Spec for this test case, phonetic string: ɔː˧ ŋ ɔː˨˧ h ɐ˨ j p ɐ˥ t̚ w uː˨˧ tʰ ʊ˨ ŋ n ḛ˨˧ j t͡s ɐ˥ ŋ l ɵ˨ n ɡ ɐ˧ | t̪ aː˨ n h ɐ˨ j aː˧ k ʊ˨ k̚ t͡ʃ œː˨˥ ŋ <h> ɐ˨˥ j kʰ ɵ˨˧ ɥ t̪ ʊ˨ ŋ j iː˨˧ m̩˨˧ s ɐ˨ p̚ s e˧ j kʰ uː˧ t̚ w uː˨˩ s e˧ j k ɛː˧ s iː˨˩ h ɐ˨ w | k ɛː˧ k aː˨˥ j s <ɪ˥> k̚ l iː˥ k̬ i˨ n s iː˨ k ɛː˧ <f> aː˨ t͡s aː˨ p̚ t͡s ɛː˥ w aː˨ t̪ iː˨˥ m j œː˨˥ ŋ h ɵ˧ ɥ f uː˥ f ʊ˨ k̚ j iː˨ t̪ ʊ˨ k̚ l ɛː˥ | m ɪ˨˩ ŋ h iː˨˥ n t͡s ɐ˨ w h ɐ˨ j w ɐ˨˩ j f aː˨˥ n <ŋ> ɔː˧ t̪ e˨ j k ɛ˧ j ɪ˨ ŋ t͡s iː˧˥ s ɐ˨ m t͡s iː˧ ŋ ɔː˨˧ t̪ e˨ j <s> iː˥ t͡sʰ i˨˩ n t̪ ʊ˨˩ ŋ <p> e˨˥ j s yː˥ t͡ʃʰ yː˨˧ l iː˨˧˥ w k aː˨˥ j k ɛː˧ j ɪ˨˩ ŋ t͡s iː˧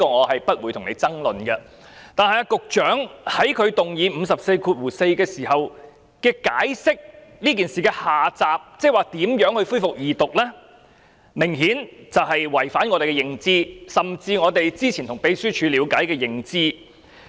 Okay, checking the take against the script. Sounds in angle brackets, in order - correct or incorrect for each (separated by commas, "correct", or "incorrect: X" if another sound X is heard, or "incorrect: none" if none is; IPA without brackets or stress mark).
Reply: correct, correct, incorrect: h, correct, incorrect: t͡s, correct